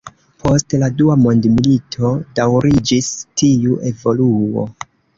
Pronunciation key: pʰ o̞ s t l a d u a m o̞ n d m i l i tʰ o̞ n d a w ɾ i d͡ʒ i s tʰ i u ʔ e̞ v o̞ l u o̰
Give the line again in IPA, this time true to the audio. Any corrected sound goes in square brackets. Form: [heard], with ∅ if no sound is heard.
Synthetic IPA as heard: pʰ o̞ s t l a d u a m o̞ n d m i l i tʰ o̞ [∅] d a w ɾ i d͡ʒ i s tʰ i u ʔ e̞ v o̞ l u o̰